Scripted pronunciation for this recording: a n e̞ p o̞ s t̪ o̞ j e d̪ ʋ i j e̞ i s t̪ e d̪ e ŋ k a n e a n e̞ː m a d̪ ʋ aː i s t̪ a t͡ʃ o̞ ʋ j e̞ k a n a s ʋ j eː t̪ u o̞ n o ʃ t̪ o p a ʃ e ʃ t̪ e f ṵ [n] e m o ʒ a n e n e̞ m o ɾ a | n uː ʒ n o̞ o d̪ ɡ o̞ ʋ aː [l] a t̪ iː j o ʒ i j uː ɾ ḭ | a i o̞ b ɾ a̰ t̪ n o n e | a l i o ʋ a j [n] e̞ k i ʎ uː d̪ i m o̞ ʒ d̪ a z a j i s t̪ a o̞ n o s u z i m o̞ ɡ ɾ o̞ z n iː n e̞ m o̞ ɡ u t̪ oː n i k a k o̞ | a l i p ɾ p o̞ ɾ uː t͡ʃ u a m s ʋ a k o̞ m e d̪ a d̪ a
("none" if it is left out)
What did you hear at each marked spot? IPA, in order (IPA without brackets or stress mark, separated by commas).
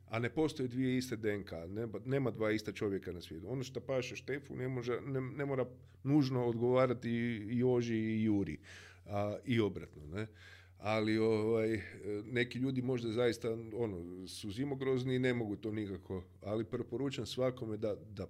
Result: n, ɾ, n